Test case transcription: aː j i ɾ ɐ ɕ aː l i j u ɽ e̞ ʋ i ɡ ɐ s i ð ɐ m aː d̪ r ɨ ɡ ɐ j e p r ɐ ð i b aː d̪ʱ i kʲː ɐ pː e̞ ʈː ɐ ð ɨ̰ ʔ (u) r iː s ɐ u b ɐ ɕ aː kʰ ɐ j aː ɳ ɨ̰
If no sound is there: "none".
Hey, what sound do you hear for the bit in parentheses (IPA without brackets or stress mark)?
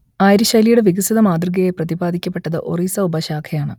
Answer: o